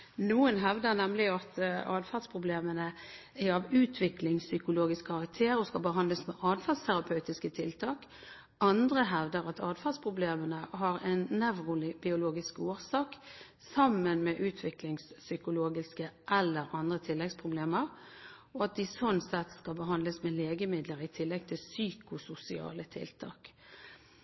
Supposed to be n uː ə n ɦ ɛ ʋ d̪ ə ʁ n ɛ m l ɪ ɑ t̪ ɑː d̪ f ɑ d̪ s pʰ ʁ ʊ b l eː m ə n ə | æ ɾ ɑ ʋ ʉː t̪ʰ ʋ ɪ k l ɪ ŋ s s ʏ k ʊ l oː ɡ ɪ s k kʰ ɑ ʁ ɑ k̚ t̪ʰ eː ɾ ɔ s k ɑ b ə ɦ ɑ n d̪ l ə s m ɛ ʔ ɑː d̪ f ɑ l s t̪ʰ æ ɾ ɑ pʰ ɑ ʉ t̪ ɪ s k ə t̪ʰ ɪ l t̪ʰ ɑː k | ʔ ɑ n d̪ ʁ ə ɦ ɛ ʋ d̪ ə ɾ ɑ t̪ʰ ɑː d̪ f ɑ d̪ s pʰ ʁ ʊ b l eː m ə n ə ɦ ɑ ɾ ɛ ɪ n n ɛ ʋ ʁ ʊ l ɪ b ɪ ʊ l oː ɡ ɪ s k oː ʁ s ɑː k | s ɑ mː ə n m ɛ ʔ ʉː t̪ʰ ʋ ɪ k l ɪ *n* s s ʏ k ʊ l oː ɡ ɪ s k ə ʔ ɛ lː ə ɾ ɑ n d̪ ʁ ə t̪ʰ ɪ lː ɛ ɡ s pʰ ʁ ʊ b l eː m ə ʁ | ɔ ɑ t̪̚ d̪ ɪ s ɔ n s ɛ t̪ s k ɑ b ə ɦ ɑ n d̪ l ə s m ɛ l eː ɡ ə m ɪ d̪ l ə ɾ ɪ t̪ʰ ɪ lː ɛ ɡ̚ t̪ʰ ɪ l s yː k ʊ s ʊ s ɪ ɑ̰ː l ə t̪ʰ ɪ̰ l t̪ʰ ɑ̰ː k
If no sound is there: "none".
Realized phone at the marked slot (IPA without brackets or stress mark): ŋ